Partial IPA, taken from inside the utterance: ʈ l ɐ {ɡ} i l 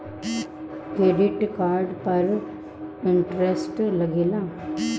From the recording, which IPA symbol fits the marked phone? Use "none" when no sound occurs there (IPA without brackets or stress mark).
ɡ